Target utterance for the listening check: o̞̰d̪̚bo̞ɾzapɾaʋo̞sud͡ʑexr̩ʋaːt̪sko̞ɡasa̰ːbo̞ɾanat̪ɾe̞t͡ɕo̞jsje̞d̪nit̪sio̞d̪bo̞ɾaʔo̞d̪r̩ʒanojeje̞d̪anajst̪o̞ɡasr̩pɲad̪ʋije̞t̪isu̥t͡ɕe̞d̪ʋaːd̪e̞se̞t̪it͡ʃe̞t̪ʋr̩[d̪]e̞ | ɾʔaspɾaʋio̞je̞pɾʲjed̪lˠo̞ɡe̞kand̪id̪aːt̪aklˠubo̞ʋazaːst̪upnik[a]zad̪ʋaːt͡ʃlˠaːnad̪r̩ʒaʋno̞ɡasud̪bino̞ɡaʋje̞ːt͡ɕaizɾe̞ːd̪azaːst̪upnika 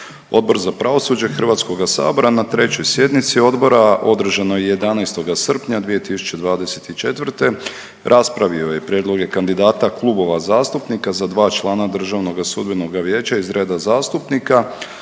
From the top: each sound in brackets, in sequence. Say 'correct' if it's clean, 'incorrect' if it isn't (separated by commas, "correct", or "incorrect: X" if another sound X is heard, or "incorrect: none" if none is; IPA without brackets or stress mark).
incorrect: t̪, correct